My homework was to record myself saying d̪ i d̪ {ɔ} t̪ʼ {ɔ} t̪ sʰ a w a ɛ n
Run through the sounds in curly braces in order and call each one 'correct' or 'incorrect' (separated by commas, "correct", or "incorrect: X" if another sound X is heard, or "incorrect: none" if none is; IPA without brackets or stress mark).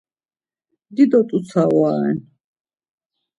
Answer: correct, incorrect: u